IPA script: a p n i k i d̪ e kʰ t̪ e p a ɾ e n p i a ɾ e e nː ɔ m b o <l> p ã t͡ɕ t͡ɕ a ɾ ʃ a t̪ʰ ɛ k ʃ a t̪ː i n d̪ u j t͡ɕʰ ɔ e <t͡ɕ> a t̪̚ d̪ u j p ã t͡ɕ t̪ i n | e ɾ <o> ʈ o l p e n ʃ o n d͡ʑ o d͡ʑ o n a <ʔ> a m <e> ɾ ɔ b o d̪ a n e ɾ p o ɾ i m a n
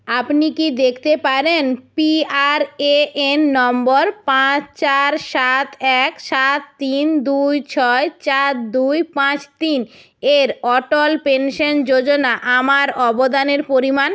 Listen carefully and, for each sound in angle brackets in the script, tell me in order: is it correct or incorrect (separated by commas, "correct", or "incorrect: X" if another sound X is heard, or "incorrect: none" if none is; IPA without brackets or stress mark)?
incorrect: ɾ, correct, incorrect: ɔ, correct, incorrect: a